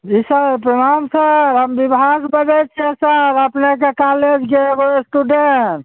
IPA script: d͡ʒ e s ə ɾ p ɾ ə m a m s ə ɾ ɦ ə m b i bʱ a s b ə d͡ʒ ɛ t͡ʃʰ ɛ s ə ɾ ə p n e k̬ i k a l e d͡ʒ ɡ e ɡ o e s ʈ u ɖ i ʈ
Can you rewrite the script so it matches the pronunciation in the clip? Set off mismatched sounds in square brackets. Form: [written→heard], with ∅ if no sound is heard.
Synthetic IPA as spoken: d͡ʒ [e→i] s ə ɾ p ɾ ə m a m s ə ɾ ɦ ə m b i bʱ a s b ə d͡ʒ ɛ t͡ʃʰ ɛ s ə ɾ ə p n e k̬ [i→e] k a l e d͡ʒ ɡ e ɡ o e s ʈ u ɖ [i→e] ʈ